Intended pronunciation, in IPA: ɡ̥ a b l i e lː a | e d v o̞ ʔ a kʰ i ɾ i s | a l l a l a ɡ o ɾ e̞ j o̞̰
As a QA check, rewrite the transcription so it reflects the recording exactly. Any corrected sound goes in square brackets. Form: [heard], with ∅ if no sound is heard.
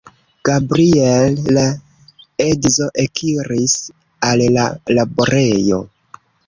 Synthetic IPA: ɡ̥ a b [ɾ] i e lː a | e d [z] o̞ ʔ [e] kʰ i ɾ i s | a l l a l a [b] o ɾ e̞ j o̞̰